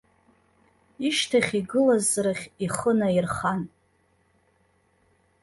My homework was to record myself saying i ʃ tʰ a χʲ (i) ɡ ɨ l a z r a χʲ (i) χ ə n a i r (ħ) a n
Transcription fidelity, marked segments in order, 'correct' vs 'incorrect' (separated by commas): correct, correct, incorrect